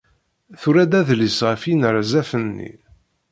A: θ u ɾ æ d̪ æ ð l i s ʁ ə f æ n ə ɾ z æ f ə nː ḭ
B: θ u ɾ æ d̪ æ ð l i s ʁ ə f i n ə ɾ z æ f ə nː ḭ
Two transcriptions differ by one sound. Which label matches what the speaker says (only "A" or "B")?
B